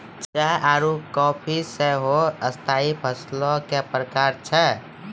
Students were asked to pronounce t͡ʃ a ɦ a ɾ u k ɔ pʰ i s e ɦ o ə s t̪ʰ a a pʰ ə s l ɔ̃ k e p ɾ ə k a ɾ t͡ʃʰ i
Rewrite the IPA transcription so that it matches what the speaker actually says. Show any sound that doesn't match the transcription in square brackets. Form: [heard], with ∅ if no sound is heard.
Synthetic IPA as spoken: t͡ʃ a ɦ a ɾ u k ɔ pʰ i s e ɦ o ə s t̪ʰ a [i] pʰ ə s l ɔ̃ k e p ɾ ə k a ɾ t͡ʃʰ [ɛ]